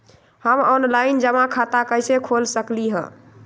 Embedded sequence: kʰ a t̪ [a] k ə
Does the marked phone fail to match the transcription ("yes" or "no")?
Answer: no